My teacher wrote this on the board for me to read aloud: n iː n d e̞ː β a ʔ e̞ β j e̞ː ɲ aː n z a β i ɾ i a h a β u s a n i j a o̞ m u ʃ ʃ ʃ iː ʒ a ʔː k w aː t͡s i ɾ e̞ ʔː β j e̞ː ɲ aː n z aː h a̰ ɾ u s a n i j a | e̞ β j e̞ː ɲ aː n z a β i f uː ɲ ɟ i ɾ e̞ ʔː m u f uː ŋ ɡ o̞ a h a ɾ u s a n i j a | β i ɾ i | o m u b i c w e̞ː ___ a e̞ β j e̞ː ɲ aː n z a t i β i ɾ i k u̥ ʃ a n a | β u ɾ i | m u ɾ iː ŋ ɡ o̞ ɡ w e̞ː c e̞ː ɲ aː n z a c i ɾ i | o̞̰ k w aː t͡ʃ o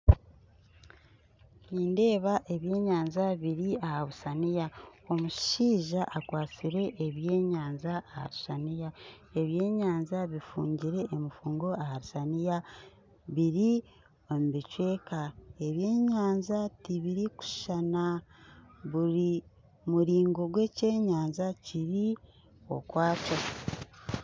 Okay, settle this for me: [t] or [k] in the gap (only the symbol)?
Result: k